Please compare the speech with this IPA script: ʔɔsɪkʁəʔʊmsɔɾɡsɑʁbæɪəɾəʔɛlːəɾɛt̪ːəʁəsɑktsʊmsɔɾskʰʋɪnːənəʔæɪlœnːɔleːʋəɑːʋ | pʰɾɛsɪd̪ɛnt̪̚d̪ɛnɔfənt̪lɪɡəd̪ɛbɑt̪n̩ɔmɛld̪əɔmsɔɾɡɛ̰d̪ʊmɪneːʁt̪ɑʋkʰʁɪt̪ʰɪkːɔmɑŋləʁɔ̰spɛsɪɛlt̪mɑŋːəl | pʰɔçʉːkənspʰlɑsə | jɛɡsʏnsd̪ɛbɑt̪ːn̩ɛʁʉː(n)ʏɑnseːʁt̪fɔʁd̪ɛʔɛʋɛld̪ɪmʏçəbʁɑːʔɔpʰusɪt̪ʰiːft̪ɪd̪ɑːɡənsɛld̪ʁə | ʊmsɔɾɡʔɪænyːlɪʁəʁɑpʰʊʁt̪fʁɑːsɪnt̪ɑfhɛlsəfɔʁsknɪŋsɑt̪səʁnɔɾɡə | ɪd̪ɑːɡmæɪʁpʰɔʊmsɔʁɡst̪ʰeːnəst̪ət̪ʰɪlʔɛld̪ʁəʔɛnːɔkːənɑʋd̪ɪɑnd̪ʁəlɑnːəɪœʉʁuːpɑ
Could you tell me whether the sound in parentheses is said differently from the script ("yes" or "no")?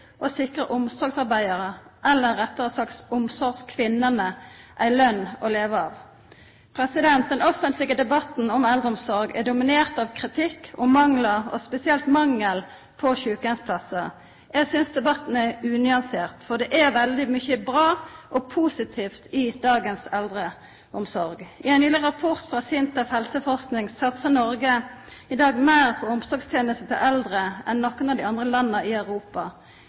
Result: no